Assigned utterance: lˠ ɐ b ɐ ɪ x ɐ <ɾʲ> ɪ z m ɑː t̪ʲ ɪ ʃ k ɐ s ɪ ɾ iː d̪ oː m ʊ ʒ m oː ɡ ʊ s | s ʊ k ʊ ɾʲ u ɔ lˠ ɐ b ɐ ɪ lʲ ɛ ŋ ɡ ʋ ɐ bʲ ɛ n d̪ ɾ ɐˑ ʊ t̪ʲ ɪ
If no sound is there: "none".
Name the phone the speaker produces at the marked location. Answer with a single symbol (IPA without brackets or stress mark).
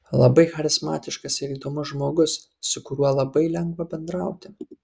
ɾʲ